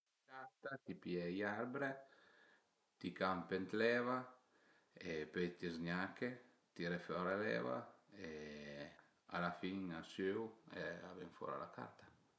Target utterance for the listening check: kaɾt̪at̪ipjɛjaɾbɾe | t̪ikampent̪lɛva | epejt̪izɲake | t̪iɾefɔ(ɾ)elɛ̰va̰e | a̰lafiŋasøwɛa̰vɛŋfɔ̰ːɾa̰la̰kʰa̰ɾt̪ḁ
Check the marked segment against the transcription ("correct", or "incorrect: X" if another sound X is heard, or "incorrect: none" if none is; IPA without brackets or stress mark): correct